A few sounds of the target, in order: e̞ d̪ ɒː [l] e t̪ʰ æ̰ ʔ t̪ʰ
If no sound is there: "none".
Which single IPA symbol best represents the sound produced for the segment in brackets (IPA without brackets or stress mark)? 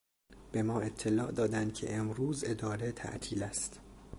ɾ